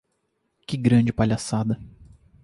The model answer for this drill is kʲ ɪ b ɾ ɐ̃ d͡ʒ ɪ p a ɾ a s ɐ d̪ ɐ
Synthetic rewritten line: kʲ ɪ ɡ ɾ ɐ̃ d͡ʒ ɪ p a ʎ a s a d̪ ɐ